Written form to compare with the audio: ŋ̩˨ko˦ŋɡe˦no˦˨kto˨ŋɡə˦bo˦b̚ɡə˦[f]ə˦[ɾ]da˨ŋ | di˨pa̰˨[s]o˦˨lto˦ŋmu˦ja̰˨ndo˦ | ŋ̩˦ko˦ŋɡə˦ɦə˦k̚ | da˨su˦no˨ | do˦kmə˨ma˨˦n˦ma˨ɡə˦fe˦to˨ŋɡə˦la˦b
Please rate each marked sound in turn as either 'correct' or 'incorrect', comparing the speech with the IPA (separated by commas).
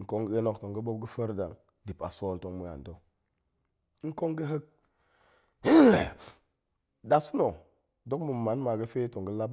correct, correct, correct